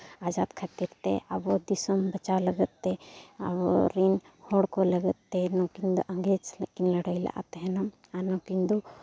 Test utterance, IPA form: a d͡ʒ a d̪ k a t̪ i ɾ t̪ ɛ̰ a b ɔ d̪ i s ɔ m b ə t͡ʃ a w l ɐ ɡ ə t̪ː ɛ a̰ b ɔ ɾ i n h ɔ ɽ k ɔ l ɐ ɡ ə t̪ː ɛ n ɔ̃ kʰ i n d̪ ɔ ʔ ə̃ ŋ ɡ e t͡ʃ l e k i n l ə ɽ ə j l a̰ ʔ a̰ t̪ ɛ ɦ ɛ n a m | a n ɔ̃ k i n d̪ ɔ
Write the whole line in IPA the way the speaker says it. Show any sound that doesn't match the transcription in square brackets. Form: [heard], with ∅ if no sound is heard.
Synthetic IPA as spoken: a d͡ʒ a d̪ [kʰ] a t̪ i ɾ t̪ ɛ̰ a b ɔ d̪ i s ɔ m b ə t͡ʃ a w l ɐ ɡ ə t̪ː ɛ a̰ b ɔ ɾ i n h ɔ ɽ k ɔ l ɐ ɡ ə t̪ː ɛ n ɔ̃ [k] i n d̪ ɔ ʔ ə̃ ŋ ɡ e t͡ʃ l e k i n l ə ɽ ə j l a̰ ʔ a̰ t̪ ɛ ɦ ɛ n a m | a n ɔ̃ k i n d̪ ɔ